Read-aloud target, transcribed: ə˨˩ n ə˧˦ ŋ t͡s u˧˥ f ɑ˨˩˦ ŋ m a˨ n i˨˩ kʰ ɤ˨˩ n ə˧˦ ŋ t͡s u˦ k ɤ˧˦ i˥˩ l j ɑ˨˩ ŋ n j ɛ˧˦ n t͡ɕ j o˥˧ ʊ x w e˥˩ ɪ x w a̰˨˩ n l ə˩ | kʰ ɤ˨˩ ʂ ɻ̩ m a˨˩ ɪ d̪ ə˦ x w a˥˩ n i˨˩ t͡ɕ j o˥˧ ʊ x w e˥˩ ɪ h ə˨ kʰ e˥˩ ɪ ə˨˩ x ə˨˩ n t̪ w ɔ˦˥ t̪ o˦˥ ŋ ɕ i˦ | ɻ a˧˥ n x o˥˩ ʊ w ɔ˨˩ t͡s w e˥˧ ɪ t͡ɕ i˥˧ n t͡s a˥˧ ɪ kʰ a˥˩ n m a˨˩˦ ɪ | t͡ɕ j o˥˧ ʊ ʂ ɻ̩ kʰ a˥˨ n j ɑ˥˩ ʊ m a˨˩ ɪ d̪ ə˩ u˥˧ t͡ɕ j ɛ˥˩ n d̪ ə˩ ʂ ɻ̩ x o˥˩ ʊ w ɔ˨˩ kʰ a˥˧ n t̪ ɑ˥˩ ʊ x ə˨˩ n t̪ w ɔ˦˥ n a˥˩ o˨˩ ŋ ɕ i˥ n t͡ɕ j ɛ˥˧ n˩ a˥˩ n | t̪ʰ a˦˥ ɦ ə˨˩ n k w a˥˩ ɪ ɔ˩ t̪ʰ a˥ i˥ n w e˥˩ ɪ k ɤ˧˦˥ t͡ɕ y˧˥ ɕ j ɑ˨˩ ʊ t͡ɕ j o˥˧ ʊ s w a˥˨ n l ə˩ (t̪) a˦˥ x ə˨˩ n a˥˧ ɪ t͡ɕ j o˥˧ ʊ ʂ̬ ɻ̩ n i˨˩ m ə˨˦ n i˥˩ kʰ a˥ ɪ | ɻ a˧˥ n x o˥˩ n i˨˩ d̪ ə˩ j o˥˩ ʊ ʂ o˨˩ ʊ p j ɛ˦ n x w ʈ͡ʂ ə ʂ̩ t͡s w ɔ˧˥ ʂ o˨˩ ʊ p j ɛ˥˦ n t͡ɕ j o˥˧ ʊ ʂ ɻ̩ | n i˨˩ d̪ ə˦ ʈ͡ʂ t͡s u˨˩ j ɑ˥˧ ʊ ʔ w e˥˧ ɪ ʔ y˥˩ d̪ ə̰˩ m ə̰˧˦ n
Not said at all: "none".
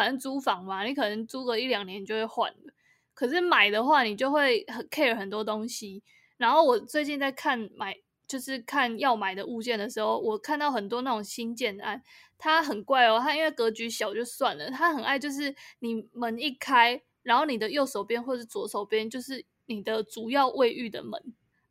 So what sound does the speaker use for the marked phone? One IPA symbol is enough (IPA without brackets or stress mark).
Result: t̪ʰ